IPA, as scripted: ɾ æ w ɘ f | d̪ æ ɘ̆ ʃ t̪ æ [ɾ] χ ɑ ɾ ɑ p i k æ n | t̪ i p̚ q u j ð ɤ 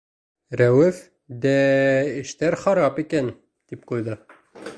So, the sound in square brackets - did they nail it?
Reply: yes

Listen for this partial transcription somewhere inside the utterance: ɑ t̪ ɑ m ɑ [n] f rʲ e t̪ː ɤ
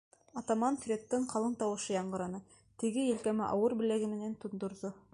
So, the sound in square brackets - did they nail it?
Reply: yes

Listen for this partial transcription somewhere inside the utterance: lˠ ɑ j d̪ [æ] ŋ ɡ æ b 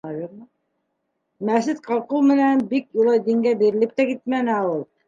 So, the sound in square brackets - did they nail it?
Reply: no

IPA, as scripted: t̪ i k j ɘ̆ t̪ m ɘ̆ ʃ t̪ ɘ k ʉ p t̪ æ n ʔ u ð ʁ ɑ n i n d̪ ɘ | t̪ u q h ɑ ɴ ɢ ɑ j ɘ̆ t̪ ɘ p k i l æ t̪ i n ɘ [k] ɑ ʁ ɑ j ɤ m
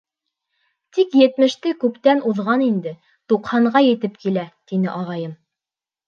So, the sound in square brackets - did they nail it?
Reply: no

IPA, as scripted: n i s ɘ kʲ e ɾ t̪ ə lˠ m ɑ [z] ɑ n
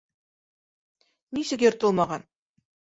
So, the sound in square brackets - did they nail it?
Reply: no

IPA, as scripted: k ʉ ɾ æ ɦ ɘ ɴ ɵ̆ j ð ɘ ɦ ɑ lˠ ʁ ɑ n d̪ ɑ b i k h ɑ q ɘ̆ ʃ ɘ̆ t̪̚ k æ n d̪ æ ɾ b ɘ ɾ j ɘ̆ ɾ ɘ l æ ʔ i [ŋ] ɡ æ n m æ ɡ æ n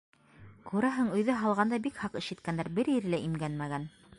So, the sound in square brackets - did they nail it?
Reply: no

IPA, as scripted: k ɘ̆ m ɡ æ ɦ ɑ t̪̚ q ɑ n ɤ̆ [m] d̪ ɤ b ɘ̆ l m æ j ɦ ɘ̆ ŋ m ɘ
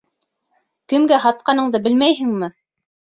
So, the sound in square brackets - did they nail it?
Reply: no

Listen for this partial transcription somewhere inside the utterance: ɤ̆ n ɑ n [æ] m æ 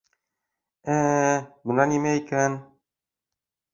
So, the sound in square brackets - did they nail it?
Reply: no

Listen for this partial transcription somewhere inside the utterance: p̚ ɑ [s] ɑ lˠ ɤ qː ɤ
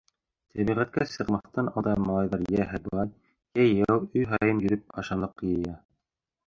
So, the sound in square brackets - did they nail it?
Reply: no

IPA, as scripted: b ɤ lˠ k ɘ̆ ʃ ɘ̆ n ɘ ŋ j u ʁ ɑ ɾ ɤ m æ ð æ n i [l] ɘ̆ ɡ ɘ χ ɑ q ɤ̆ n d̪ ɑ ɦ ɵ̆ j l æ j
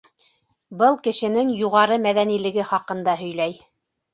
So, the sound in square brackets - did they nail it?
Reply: yes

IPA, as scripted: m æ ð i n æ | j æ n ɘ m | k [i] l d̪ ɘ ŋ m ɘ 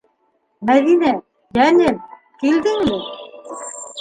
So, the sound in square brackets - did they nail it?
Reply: yes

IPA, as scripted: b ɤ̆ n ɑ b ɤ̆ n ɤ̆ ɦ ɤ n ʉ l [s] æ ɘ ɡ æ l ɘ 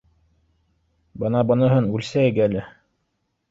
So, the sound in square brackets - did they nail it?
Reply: yes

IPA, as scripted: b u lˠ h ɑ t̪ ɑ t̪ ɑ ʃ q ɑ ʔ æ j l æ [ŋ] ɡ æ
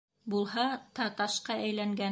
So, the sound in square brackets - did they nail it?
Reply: yes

